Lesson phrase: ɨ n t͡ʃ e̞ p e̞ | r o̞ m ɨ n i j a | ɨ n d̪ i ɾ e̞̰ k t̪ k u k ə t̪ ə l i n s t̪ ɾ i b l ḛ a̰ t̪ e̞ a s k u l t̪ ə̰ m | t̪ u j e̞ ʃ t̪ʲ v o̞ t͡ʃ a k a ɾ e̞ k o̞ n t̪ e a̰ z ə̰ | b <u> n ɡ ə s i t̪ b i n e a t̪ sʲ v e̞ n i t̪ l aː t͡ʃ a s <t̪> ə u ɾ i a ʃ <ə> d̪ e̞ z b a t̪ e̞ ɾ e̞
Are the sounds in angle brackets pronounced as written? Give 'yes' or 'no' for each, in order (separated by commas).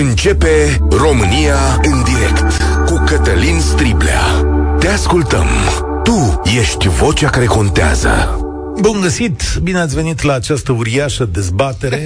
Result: yes, yes, yes